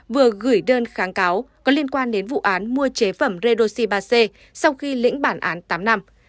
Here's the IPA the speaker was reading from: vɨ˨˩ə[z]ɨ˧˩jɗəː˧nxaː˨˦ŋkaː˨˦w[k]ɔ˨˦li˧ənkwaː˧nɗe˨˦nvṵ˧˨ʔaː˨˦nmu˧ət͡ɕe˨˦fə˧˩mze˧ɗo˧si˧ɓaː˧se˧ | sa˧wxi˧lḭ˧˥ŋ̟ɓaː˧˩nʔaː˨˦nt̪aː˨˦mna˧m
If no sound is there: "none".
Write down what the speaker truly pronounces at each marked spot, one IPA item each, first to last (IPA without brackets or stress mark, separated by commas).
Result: ɣ, k